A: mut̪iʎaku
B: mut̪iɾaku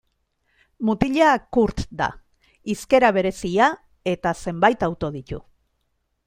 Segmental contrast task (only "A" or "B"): A